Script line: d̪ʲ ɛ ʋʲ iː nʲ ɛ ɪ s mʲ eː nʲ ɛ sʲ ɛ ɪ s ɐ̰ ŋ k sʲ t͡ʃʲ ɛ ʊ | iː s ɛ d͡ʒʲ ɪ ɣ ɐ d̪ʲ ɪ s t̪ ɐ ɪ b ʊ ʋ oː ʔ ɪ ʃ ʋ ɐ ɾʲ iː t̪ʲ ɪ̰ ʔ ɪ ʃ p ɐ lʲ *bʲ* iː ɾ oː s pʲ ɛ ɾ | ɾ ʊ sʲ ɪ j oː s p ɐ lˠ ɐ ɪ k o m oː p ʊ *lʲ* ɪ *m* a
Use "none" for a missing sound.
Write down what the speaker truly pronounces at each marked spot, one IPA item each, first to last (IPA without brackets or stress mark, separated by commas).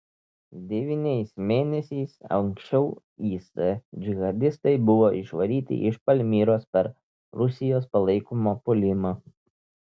mʲ, lʲ, m